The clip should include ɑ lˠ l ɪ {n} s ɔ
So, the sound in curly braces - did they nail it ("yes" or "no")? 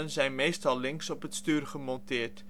no